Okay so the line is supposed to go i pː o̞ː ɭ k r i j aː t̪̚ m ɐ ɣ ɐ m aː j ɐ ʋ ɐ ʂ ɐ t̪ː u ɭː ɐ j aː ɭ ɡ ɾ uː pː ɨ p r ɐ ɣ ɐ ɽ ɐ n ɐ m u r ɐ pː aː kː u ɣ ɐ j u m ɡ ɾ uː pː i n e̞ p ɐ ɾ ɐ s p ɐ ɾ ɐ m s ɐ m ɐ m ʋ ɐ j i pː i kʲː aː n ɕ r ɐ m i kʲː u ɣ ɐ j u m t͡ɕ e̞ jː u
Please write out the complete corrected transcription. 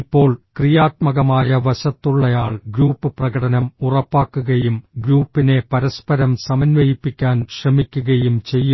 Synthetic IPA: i pː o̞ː ɭ k r i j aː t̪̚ m ɐ ɣ ɐ m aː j ɐ ʋ ɐ ɕ ɐ t̪ː u ɭː ɐ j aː ɭ ɡ ɾ uː pː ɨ p r ɐ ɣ ɐ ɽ ɐ n ɐ m u r ɐ pː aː kː u ɣ ɐ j u m ɡ ɾ uː pː i n e̞ p ɐ ɾ ɐ s p ɐ ɾ ɐ m s ɐ m ɐ n ʋ ɐ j i pː i kʲː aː n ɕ r ɐ m i kʲː u ɣ ɐ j u m t͡ɕ e̞ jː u